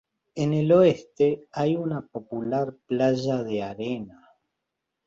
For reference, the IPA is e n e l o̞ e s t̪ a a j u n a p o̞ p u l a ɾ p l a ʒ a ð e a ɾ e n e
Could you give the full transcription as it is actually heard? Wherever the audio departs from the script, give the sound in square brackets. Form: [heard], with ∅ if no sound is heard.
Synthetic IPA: e n e l o̞ e s t̪ [e] a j u n a p o̞ p u l a ɾ p l a ʒ a ð e a ɾ e n [a]